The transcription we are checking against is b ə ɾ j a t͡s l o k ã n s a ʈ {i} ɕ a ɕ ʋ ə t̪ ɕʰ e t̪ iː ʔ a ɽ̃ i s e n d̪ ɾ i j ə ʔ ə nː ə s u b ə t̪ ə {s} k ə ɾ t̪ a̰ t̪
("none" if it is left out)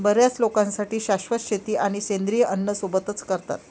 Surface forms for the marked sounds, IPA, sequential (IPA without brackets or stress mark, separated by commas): iː, t͡s